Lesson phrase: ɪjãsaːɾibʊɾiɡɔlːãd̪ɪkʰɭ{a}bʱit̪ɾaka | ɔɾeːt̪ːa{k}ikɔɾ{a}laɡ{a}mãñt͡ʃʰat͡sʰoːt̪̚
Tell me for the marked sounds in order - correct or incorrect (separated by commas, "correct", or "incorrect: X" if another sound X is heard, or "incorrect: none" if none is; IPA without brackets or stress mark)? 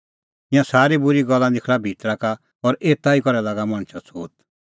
correct, incorrect: none, incorrect: ɛ, correct